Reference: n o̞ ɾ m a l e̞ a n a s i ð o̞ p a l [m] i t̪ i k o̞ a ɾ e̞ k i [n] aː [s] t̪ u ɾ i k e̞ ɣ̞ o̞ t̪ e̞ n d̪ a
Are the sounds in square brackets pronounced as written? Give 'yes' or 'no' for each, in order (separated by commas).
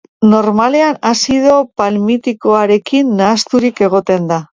yes, no, yes